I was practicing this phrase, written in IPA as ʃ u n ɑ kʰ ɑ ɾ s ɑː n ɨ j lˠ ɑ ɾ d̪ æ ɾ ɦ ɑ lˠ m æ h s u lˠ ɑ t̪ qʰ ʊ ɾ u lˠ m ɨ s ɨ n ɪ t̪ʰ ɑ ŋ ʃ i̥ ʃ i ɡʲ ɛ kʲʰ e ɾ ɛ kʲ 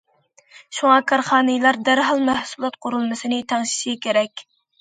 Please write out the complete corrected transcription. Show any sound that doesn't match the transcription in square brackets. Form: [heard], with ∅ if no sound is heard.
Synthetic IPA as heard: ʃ u [ŋ] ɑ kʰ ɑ ɾ [χ] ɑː n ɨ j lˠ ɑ ɾ d̪ æ ɾ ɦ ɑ lˠ m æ h s u lˠ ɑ t̪ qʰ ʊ ɾ u lˠ m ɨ s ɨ n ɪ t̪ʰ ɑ ŋ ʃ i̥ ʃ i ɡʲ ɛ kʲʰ e ɾ ɛ kʲ